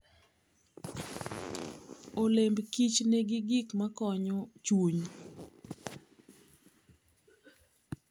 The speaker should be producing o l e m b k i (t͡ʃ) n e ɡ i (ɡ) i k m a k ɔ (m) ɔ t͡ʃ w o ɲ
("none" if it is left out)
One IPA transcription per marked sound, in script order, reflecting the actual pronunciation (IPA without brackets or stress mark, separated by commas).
t͡ʃ, ɡ, ɲ